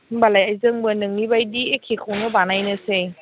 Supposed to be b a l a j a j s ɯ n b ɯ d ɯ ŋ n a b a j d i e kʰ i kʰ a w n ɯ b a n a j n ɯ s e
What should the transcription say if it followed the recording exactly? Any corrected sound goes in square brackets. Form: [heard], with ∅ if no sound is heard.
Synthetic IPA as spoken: b a l a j a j [z] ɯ [ŋ] b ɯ [n] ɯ ŋ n [i] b a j d i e kʰ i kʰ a w n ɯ b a n a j n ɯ s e